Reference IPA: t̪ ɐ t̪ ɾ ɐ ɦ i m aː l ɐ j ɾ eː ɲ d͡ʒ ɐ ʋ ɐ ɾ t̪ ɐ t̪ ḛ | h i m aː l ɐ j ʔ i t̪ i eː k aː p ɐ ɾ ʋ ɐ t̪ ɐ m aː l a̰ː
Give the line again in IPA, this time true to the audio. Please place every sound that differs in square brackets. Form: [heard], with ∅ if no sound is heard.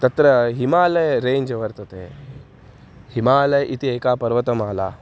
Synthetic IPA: t̪ ɐ t̪ ɾ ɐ ɦ i m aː l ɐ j ɾ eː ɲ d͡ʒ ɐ ʋ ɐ ɾ t̪ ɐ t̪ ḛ | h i m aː l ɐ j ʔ i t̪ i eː k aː p ɐ ɾ ʋ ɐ t̪ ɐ m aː l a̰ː